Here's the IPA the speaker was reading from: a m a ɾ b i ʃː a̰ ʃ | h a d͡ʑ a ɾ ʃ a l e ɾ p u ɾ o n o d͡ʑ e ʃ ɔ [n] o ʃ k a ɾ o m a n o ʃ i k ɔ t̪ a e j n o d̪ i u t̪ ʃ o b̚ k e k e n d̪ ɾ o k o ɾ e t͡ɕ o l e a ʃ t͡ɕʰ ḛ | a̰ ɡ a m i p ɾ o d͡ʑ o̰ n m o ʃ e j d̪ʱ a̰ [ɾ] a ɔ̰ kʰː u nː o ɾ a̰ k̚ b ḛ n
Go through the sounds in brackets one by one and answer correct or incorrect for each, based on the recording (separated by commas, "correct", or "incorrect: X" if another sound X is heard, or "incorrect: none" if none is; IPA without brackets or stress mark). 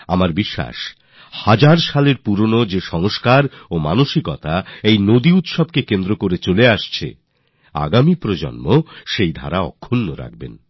incorrect: ŋ, correct